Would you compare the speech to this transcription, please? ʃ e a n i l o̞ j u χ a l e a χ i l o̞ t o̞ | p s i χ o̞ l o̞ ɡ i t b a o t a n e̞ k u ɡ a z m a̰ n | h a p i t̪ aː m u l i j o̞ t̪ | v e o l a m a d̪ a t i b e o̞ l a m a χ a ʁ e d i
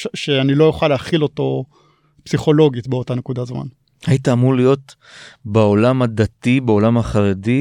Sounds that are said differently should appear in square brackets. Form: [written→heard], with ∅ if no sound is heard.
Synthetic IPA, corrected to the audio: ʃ e a n i l o̞ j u χ a l e a χ i l o̞ t o̞ | p s i χ o̞ l o̞ ɡ i t b [a→e] o t a n e̞ k u [ɡ→d] a z m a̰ n | h a [p→∅] i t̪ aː m u l i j o̞ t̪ | [v→b] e o l a m a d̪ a t i b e o̞ l a m a χ a ʁ e d i